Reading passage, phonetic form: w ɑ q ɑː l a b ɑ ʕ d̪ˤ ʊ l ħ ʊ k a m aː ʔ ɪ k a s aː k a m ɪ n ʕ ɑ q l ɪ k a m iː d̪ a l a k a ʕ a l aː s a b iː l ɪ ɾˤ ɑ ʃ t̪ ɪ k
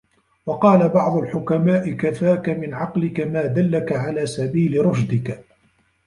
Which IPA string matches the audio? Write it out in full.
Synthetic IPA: w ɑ q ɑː l a b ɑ ʕ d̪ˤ ʊ l ħ ʊ k a m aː ʔ ɪ k a f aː k a m ɪ n ʕ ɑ q l ɪ k a m aː d̪ a lː a k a ʕ a l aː s a b iː l ɪ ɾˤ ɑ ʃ d̪ ɪ k